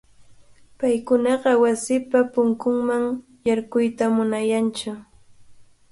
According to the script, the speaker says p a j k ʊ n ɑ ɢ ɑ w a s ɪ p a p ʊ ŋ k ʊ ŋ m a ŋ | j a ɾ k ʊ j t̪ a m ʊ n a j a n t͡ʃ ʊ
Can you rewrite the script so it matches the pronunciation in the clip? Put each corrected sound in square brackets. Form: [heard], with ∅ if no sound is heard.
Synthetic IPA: p a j k ʊ n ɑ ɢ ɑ w a s ɪ p a p ʊ ŋ k ʊ ŋ m a ŋ | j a ɾ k ʊ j t̪ a m ʊ n a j a n t͡ʃ ʊ